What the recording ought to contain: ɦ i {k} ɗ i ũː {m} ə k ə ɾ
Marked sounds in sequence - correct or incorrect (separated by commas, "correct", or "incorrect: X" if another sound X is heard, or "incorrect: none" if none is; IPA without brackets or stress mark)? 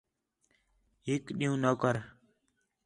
correct, incorrect: n